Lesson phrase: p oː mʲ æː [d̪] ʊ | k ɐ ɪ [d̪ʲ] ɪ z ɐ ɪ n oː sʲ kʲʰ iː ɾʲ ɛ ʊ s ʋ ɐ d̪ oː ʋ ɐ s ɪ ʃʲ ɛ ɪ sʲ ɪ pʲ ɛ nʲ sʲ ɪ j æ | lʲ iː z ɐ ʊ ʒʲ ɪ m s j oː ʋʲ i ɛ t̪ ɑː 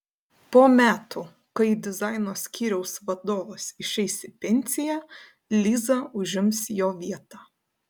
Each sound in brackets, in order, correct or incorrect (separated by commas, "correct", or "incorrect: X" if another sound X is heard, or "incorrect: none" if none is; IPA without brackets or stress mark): incorrect: t̪, correct